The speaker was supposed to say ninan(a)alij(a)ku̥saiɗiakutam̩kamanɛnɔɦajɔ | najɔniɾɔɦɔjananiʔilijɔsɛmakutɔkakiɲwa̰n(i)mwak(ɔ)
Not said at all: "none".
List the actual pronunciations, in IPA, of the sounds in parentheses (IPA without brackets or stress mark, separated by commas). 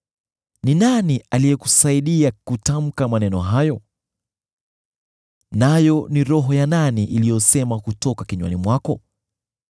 i, ɛ, i, ɔ